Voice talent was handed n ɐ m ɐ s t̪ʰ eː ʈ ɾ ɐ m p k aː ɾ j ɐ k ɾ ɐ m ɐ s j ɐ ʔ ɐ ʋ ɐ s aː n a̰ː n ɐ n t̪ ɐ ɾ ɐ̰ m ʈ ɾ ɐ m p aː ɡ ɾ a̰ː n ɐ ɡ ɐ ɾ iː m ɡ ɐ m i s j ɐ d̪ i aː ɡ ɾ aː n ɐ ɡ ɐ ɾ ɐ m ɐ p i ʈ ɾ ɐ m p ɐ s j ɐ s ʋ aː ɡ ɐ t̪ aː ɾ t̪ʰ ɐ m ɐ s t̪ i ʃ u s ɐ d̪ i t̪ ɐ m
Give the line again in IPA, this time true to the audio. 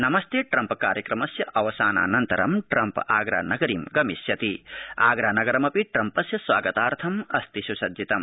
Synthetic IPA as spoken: n ɐ m ɐ s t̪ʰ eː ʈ ɾ ɐ m p k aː ɾ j ɐ k ɾ ɐ m ɐ s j ɐ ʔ ɐ ʋ ɐ s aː n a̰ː n ɐ n t̪ ɐ ɾ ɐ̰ m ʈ ɾ ɐ m p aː ɡ ɾ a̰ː n ɐ ɡ ɐ ɾ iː m ɡ ɐ m i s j ɐ t̪ i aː ɡ ɾ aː n ɐ ɡ ɐ ɾ ɐ m ɐ p i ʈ ɾ ɐ m p ɐ s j ɐ s ʋ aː ɡ ɐ t̪ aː ɾ t̪ʰ ɐ m ɐ s t̪ i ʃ u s ɐ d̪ i t̪ ɐ m

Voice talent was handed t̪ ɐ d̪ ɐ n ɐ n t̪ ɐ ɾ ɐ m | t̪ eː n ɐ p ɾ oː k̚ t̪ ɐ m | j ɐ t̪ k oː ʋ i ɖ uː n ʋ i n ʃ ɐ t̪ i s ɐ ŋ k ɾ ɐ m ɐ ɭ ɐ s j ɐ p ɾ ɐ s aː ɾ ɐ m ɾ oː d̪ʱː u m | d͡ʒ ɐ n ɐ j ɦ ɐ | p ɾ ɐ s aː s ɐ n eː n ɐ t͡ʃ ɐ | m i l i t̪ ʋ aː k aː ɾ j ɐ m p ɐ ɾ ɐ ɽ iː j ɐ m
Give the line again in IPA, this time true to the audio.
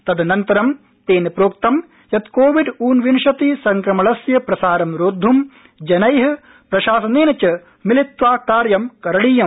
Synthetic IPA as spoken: t̪ ɐ d̪ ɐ n ɐ n t̪ ɐ ɾ ɐ m | t̪ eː n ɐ p ɾ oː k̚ t̪ ɐ m | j ɐ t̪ k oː ʋ i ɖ uː n ʋ i n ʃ ɐ t̪ i s ɐ ŋ k ɾ ɐ m ɐ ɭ ɐ s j ɐ p ɾ ɐ s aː ɾ ɐ m ɾ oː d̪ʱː u m | d͡ʒ ɐ n ɐ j ɦ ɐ | p ɾ ɐ ʃ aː s ɐ n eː n ɐ t͡ʃ ɐ | m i l i t̪ ʋ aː k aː ɾ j ɐ m k ɐ ɾ ɐ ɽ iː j ɐ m

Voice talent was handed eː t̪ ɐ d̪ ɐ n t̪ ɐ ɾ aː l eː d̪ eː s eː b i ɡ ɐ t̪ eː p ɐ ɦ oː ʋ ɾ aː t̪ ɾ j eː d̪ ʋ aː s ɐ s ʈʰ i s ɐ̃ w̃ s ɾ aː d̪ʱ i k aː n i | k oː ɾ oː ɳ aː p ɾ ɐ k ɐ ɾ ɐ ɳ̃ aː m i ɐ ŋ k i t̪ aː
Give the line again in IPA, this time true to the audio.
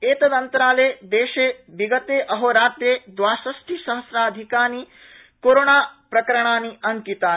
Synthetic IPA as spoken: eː t̪ ɐ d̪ ɐ n t̪ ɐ ɾ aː l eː d̪ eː ʃ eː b i ɡ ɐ t̪ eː ʔ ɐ ɦ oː ɾ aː t̪ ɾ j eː d̪ ʋ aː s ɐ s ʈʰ i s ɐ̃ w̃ s ɾ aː d̪ʱ i k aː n i | k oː ɾ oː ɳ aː p ɾ ɐ k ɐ ɾ ɐ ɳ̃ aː n i ɐ ŋ k i t̪ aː

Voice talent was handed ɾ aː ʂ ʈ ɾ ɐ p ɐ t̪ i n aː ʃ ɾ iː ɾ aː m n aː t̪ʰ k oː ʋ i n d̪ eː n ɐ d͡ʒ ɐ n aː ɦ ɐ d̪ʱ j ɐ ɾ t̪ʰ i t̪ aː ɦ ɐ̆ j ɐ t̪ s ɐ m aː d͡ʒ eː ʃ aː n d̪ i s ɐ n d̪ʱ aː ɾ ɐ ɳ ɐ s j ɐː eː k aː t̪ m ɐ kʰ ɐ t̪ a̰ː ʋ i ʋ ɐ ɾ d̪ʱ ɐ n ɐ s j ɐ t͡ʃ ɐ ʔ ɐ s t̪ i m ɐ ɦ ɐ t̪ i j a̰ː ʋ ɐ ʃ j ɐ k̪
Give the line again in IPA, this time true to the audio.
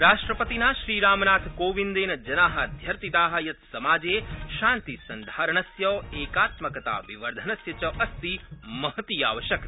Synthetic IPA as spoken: ɾ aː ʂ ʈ ɾ ɐ p ɐ t̪ i n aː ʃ ɾ iː ɾ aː m n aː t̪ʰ k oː ʋ i n d̪ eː n ɐ d͡ʒ ɐ n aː ɦ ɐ d̪ʱ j ɐ ɾ t̪ i t̪ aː ɦ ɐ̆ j ɐ t̪ s ɐ m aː d͡ʒ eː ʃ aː n t̪ i s ɐ n d̪ʱ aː ɾ ɐ ɳ ɐ s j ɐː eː k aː t̪ m ɐ k ɐ t̪ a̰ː ʋ i ʋ ɐ ɾ d̪ʱ ɐ n ɐ s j ɐ t͡ʃ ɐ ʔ ɐ s t̪ i m ɐ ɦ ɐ t̪ i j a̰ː ʋ ɐ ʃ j ɐ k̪

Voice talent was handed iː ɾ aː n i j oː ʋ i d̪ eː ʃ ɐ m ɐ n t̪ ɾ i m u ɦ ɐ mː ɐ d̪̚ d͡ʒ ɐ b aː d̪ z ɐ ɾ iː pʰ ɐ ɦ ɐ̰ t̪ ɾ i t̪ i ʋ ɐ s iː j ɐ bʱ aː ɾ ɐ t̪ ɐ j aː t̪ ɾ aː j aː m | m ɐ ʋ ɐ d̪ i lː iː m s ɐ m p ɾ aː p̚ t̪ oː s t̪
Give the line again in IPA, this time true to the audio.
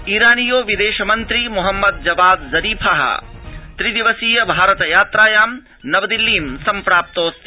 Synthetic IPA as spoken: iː ɾ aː n i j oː ʋ i d̪ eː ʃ ɐ m ɐ n t̪ ɾ i m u ɦ ɐ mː ɐ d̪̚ d͡ʒ ɐ b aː d̪ z ɐ ɾ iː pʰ ɐ ɦ ɐ̰ t̪ ɾ i d̪ i ʋ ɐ s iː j ɐ bʱ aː ɾ ɐ t̪ ɐ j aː t̪ ɾ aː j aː m | n ɐ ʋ ɐ d̪ i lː iː m s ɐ m p ɾ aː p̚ t̪ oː s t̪

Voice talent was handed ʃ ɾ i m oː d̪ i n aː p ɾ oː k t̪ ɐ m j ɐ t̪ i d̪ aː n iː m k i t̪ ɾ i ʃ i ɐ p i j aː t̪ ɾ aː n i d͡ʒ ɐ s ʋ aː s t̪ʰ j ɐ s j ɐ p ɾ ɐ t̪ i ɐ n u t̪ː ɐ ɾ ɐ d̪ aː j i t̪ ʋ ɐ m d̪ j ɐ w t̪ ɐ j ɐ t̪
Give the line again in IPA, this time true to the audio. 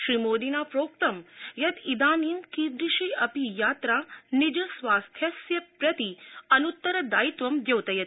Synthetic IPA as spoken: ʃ ɾ i m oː d̪ i n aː p ɾ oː k t̪ ɐ m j ɐ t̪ i d̪ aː n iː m k i d̪ ɾ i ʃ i ɐ p i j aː t̪ ɾ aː n i d͡ʒ ɐ s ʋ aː s t̪ʰ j ɐ s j ɐ p ɾ ɐ t̪ i ɐ n u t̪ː ɐ ɾ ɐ d̪ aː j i t̪ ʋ ɐ m d̪ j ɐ w t̪ ɐ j ɐ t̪

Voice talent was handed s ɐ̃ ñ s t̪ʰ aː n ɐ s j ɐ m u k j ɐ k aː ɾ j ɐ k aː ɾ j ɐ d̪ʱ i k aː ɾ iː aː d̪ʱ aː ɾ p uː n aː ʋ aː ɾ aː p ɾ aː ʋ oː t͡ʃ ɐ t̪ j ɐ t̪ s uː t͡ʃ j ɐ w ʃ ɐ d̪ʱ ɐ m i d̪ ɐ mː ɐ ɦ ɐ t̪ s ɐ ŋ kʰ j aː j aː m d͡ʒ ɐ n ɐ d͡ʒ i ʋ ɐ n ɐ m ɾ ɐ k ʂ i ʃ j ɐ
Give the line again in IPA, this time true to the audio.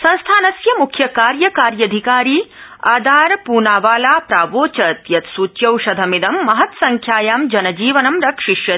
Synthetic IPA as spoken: s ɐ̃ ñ s t̪ʰ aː n ɐ s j ɐ m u kʰ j ɐ k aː ɾ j ɐ k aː ɾ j ɐ d̪ʱ i k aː ɾ iː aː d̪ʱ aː ɾ p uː n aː ʋ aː l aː p ɾ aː ʋ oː t͡ʃ ɐ t̪ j ɐ t̪ s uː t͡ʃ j ɐ w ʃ ɐ d̪ʱ ɐ m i d̪ ɐ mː ɐ ɦ ɐ t̪ s ɐ ŋ kʰ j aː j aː m d͡ʒ ɐ n ɐ d͡ʒ iː ʋ ɐ n ɐ m ɾ ɐ k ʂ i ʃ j ɐ

